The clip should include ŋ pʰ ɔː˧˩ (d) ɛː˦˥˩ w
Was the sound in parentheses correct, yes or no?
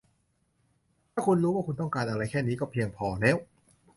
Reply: no